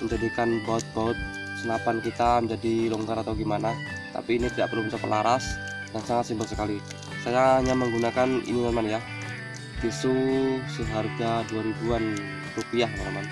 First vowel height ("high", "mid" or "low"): mid